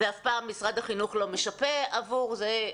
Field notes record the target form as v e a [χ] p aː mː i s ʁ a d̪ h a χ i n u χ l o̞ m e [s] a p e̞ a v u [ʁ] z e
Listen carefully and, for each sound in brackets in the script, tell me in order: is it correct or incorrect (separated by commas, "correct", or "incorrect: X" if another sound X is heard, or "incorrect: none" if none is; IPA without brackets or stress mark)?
incorrect: f, incorrect: ʃ, correct